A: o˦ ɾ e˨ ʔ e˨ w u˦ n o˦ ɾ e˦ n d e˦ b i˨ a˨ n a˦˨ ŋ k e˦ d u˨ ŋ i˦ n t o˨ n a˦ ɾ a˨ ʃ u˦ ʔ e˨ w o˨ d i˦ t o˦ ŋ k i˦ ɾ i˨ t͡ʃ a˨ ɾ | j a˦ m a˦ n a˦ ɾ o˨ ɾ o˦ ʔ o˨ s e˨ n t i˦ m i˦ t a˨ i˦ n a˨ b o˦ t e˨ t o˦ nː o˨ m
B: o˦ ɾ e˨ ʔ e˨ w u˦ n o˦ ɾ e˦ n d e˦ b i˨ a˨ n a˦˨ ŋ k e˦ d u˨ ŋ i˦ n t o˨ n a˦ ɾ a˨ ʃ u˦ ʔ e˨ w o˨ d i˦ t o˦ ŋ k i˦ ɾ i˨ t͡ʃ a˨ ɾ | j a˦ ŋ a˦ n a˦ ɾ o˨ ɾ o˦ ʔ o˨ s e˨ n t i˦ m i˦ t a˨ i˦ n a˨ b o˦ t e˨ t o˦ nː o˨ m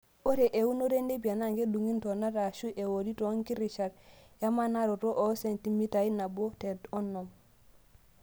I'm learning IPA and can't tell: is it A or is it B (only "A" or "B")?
A